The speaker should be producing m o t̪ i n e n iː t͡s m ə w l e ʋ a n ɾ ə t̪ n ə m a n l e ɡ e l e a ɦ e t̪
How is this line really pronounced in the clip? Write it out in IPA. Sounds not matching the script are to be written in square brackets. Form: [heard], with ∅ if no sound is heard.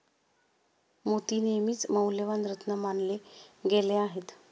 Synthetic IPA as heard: m o t̪ i n e [m] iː t͡s m ə w l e ʋ a n ɾ ə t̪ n ə m a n l e ɡ e l e a ɦ e t̪